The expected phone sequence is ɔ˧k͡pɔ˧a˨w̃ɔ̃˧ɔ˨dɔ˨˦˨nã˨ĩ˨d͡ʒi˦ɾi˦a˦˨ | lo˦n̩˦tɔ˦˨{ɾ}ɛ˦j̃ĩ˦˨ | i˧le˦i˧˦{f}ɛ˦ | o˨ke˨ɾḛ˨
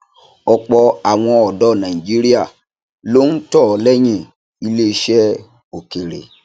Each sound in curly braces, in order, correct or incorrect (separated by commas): incorrect, incorrect